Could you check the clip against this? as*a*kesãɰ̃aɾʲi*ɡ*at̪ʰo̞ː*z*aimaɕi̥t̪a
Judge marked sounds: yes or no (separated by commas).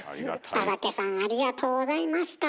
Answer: yes, yes, yes